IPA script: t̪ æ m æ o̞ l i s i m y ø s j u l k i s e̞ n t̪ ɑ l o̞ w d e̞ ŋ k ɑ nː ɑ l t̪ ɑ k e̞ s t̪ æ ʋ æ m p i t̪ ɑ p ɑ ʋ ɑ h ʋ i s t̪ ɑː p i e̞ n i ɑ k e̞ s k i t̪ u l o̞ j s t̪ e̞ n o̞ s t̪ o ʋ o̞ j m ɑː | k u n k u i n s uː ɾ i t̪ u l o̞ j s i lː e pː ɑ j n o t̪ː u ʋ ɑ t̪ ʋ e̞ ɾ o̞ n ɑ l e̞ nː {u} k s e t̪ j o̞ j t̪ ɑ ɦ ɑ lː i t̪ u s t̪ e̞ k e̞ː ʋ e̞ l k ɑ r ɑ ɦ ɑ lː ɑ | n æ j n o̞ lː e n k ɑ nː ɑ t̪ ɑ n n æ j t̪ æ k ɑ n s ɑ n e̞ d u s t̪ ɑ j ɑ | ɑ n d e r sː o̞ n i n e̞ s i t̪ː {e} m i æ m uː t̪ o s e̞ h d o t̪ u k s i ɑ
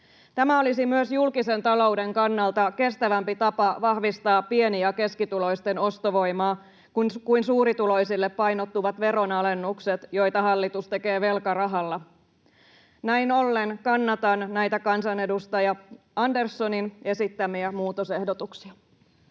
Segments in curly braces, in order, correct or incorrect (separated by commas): correct, incorrect